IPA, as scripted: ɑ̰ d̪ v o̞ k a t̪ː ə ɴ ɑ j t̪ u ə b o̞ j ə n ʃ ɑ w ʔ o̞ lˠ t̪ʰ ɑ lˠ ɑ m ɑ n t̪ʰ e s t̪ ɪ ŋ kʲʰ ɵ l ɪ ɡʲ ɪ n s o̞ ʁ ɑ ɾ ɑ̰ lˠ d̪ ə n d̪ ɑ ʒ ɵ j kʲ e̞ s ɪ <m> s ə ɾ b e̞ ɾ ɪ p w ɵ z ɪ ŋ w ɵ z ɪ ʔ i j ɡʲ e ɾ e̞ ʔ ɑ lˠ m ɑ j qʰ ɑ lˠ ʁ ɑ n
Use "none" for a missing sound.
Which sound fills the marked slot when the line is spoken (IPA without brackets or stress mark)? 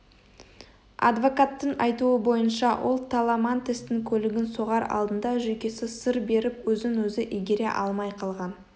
none